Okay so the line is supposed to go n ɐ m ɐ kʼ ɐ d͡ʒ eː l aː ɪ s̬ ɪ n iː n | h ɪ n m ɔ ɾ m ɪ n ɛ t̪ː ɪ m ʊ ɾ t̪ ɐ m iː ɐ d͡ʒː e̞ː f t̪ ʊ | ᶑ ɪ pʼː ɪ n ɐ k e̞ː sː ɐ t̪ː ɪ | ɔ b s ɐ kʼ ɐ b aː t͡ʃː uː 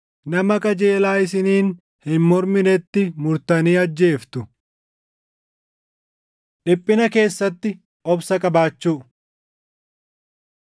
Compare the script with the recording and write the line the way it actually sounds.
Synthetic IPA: n ɐ m ɐ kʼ ɐ d͡ʒ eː l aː ɪ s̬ ɪ n iː n | h ɪ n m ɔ ɾ m ɪ n ɛ t̪ː ɪ m ʊ ɾ t̪ ɐ n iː ɐ d͡ʒː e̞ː f t̪ ʊ | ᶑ ɪ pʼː ɪ n ɐ k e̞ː sː ɐ t̪ː ɪ | ɔ b s ɐ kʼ ɐ b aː t͡ʃː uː